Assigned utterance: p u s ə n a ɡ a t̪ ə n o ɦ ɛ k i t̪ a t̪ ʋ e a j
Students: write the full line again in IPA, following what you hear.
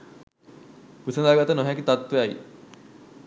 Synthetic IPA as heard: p u s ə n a ɡ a t̪ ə n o ɦ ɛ k i t̪ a t̪ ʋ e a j